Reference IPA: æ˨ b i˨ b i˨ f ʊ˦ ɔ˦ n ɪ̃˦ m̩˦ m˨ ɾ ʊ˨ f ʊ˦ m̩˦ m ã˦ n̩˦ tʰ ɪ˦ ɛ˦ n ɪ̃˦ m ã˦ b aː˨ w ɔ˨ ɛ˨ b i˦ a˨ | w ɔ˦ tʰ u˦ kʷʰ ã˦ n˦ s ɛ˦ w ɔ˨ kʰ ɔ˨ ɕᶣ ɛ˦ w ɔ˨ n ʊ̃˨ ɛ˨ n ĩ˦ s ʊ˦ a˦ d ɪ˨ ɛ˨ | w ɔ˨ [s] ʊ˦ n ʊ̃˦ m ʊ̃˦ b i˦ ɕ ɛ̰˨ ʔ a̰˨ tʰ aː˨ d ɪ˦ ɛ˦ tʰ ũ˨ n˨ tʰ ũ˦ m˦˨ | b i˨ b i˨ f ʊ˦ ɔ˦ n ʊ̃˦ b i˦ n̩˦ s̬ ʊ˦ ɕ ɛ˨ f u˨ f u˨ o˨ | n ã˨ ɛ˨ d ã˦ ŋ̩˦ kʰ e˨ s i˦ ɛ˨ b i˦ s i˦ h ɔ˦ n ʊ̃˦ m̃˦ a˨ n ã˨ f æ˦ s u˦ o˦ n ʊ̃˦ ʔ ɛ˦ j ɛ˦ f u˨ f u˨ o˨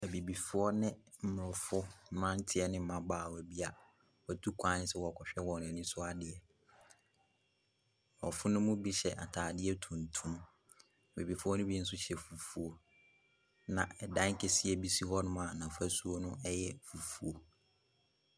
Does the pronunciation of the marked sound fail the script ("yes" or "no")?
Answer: yes